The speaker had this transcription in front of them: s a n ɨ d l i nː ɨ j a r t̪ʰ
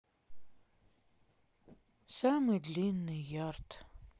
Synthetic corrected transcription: s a m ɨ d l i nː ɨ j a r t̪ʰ